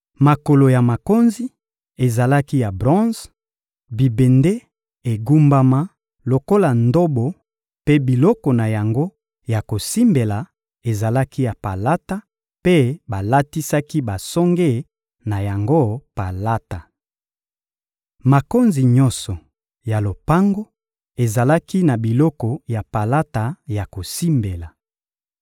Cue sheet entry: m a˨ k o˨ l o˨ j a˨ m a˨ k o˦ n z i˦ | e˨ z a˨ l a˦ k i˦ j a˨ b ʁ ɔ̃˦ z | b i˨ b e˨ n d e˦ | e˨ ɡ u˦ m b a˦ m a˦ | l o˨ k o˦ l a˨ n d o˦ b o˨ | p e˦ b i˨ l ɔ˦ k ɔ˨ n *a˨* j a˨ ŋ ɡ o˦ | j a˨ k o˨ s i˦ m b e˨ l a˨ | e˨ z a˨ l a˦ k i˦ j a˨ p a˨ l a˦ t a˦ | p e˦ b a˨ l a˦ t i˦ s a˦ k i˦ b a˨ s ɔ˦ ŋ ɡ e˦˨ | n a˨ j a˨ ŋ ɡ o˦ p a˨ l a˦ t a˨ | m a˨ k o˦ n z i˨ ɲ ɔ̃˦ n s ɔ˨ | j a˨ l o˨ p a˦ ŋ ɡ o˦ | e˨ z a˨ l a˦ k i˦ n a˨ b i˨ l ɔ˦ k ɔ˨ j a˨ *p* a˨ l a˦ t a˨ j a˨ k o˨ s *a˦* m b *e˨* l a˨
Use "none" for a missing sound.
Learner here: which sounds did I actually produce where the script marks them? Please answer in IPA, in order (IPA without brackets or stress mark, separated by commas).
a˨, p, i˦, e˨